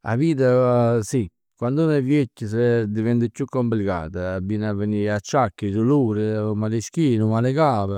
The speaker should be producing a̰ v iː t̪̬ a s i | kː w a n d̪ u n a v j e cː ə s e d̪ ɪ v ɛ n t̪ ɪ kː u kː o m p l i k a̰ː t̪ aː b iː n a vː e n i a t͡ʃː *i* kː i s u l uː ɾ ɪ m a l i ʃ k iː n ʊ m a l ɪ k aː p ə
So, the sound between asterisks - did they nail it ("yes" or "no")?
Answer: no